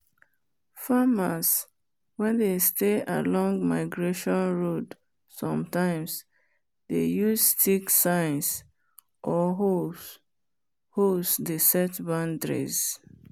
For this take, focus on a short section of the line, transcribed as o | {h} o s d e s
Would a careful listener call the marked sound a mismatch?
no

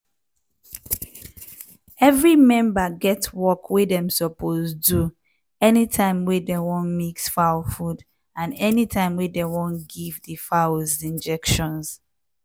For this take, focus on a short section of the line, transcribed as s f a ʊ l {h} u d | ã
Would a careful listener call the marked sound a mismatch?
yes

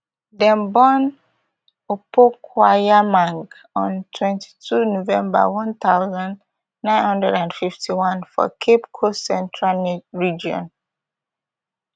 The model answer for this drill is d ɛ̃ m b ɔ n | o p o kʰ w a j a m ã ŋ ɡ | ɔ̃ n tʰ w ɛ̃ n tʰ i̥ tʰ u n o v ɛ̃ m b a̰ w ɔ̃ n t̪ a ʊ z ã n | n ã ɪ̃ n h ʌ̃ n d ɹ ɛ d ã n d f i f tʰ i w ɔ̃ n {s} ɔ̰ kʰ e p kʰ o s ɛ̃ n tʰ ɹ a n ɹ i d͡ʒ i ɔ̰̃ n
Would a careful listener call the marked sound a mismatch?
yes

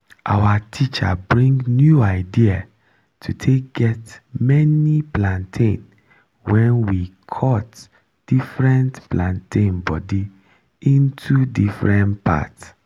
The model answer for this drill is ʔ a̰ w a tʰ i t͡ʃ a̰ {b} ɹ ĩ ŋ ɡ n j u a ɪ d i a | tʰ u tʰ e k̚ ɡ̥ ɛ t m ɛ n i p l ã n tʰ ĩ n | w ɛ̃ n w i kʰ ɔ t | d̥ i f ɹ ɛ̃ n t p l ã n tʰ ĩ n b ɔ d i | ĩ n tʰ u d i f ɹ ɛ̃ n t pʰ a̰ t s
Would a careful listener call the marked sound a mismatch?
no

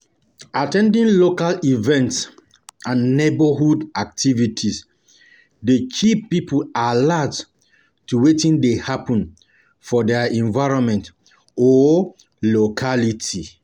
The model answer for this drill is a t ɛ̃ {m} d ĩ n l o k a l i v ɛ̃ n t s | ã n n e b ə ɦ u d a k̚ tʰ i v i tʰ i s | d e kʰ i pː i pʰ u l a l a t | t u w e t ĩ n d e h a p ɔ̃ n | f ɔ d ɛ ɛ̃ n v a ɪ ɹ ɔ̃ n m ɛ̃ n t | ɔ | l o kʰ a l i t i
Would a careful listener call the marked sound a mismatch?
yes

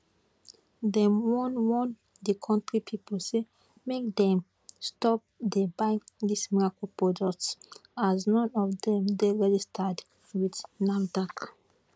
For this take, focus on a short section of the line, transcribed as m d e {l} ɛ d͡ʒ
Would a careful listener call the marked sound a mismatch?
yes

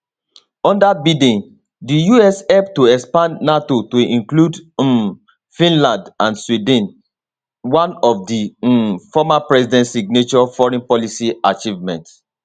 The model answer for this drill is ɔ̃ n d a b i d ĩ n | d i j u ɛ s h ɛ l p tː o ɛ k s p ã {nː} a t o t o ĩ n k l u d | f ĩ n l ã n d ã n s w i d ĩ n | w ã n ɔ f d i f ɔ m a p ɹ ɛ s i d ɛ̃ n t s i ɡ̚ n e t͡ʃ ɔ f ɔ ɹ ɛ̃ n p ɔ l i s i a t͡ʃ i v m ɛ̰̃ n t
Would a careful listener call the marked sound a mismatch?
no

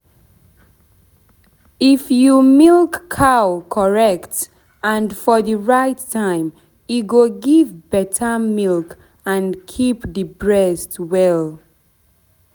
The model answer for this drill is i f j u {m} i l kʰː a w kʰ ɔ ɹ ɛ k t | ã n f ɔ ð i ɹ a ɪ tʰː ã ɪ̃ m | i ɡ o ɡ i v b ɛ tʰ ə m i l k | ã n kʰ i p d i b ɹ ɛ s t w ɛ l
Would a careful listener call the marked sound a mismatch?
no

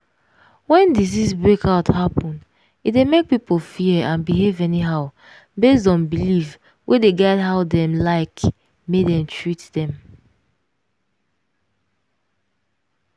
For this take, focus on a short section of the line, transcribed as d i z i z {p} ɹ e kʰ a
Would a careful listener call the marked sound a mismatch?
yes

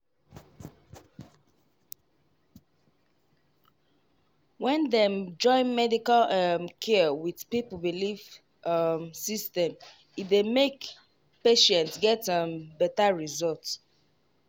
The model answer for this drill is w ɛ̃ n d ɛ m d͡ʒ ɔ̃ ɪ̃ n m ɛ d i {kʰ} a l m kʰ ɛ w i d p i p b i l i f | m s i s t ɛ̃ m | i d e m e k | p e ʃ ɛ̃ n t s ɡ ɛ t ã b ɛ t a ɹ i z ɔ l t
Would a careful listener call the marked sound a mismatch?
yes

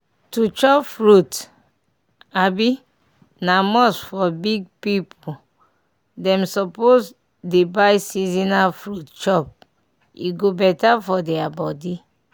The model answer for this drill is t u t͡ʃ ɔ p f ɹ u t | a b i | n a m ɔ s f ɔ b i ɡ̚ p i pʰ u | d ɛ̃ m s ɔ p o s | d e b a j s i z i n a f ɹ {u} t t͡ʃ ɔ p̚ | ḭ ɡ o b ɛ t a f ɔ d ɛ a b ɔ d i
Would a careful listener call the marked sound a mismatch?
no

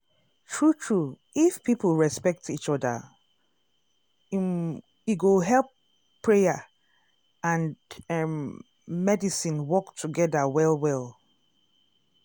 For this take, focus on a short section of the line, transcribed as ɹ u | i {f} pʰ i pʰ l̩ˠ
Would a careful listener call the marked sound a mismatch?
no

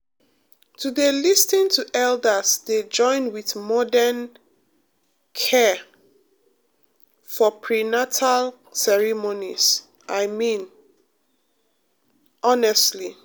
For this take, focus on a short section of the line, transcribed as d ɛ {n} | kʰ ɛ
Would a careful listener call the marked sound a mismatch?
no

